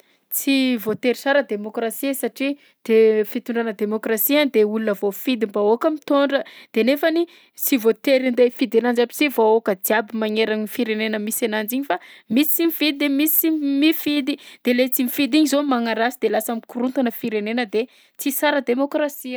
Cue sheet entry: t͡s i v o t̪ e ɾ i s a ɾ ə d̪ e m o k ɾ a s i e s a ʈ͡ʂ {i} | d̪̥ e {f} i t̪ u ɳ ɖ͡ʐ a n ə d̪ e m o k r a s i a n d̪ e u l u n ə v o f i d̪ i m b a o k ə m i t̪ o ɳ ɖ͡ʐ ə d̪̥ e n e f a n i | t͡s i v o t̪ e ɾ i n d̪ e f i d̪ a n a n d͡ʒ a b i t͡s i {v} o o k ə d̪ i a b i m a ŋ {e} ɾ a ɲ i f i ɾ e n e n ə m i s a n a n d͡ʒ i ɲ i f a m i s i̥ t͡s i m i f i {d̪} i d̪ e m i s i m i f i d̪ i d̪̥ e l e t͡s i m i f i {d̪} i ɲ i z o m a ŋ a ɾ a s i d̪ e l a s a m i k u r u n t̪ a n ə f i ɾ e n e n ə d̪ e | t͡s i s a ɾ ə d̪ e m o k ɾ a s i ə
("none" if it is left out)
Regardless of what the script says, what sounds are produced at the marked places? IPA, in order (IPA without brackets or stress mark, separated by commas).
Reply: i, f, v, e, d̪, d̪